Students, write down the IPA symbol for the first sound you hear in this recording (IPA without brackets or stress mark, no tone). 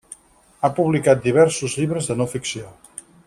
a